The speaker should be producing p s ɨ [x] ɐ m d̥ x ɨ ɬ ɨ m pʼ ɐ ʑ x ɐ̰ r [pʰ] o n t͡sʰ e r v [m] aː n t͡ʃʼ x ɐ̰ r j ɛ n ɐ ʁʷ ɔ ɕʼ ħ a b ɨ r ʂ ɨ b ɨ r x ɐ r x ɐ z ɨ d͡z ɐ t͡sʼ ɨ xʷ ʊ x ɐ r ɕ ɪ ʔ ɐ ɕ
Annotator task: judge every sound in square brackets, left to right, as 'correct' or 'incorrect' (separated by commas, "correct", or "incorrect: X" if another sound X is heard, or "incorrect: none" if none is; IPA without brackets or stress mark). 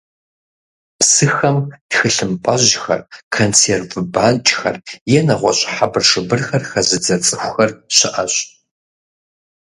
correct, incorrect: kʰ, incorrect: b